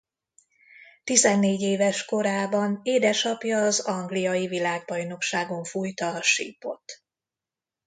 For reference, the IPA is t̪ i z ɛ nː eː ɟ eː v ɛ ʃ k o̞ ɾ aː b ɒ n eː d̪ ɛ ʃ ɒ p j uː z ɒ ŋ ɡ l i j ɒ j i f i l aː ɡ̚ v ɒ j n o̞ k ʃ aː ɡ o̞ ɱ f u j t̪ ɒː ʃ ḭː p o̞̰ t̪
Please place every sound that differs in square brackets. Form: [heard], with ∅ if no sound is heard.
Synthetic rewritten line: t̪ i z ɛ nː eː ɟ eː v ɛ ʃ k o̞ ɾ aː b ɒ n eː d̪ ɛ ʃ ɒ p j [ɒː] z ɒ ŋ ɡ l i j ɒ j i [v] i l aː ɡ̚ [b] ɒ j n o̞ k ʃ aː ɡ o̞ ɱ f u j t̪ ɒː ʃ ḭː p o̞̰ t̪

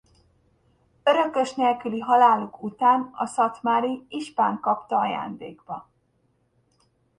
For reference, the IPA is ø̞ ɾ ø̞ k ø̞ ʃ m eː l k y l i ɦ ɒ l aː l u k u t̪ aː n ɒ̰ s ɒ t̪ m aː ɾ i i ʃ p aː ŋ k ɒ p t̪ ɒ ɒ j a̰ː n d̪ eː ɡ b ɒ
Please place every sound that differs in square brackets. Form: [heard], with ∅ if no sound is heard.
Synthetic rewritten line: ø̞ ɾ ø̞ k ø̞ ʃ [n] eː l k y l i ɦ ɒ l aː l u k u t̪ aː n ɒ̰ s ɒ t̪ m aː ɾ i i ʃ p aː ŋ k ɒ p t̪ ɒ ɒ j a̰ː n d̪ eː ɡ b ɒ

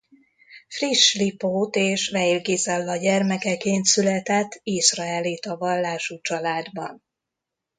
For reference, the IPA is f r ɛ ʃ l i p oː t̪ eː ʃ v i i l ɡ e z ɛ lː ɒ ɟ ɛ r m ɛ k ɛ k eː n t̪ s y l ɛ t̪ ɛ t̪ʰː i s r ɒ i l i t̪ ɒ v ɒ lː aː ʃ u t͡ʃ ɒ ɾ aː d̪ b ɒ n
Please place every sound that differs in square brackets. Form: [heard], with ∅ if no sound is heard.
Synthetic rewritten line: f r [i] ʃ l i p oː t̪ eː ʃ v [ɛ] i l ɡ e z ɛ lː ɒ ɟ ɛ r m ɛ k ɛ k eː n t̪ s y l ɛ t̪ ɛ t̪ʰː i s r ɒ [ɛ] l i t̪ ɒ v ɒ lː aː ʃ u t͡ʃ ɒ [l] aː d̪ b ɒ n

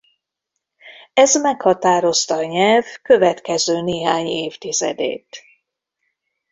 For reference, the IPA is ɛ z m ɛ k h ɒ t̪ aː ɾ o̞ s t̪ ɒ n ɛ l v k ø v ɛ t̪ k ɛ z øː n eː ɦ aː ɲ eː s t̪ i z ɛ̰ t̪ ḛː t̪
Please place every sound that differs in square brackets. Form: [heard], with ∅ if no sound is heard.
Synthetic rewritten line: ɛ z m ɛ k h ɒ t̪ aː ɾ o̞ s t̪ ɒ [ɲ] ɛ l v k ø v ɛ t̪ k ɛ z øː n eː ɦ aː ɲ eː [f] t̪ i z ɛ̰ [d̪] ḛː t̪

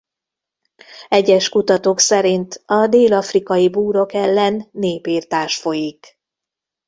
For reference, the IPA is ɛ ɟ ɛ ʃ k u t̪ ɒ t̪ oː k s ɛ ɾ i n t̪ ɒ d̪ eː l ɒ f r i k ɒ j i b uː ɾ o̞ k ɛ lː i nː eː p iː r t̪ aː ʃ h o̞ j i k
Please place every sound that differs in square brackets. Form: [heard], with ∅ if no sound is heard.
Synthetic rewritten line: ɛ ɟ ɛ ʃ k u t̪ ɒ t̪ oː k s ɛ ɾ i n t̪ ɒ d̪ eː l ɒ f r i k ɒ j i b uː ɾ o̞ k ɛ lː [ɛ] nː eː p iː r t̪ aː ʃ [f] o̞ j i k

